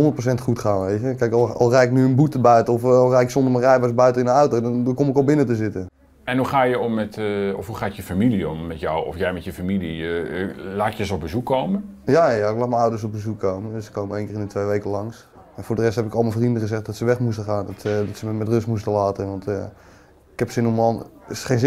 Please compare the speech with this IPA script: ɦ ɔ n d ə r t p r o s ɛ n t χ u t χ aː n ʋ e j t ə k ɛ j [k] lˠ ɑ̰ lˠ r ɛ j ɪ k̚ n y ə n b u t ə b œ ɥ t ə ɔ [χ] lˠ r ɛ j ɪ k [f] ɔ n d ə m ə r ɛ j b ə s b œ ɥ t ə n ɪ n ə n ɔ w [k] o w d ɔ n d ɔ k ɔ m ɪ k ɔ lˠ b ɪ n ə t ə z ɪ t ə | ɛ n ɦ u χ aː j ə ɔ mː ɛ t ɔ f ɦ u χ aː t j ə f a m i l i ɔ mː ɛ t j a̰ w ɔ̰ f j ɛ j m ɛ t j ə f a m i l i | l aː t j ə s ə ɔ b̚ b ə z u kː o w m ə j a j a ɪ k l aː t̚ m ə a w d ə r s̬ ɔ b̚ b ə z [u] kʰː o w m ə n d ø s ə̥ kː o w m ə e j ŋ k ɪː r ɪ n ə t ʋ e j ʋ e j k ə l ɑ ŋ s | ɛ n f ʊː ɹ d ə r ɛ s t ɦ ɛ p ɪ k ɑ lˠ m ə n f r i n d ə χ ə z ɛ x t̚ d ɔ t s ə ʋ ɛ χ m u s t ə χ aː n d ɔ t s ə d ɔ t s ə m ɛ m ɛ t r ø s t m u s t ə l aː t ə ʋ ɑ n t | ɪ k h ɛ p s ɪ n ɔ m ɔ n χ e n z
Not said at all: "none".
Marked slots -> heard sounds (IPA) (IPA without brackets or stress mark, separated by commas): k, f, s, t, u